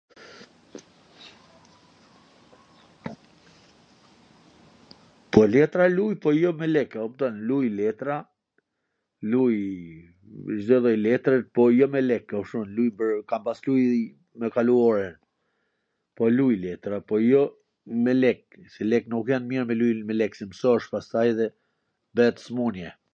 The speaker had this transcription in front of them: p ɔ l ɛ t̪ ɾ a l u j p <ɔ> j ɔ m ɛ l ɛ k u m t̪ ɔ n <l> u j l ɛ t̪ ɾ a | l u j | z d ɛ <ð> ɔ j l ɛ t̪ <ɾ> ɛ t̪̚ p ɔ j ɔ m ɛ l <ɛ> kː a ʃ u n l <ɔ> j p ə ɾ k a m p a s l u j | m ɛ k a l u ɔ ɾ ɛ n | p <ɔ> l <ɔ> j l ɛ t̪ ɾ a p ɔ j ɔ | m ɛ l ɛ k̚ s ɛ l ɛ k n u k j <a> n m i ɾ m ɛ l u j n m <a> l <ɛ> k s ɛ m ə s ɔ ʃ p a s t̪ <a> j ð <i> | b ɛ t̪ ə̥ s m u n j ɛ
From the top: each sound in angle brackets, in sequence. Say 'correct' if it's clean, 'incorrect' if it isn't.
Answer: correct, correct, correct, correct, correct, incorrect: u, correct, incorrect: u, correct, incorrect: ɛ, correct, correct, incorrect: ɛ

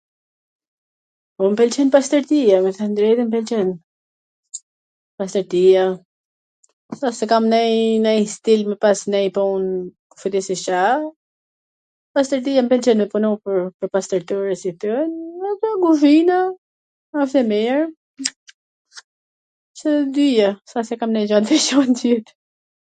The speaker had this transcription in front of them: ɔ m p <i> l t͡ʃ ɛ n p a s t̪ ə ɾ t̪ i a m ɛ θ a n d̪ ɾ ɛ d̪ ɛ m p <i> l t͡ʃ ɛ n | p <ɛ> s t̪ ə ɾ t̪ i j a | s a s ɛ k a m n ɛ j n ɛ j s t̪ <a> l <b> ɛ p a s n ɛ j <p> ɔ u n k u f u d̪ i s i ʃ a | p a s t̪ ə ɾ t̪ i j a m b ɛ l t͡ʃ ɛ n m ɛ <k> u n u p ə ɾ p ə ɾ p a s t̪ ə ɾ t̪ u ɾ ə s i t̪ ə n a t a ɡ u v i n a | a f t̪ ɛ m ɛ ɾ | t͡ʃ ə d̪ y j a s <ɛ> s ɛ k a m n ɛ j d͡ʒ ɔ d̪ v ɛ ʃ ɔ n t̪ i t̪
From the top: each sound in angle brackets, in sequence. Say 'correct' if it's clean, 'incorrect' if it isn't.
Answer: incorrect: ɛ, incorrect: ɛ, incorrect: a, incorrect: i, incorrect: m, correct, incorrect: p, incorrect: a

